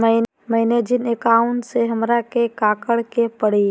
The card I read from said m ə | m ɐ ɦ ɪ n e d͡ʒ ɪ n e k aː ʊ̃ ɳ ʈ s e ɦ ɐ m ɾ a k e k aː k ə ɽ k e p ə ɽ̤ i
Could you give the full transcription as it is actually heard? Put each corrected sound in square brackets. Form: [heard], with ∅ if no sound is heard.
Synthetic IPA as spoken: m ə | m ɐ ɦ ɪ n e d͡ʒ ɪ n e k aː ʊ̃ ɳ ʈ s e ɦ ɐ m ɾ a k e k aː k ə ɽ k e p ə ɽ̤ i